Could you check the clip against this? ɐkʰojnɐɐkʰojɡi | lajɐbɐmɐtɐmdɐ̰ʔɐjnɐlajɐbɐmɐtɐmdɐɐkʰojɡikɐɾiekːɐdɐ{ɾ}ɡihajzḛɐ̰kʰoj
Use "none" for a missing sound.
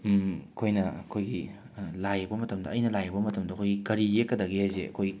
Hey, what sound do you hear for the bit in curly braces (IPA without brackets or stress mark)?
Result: none